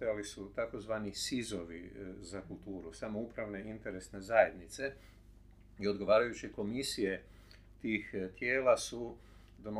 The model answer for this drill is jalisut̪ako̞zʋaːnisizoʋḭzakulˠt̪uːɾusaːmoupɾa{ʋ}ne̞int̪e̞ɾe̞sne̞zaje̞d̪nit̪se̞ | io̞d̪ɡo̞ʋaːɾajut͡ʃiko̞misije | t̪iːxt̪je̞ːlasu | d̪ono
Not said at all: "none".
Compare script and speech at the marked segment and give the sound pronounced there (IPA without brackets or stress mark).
ʋ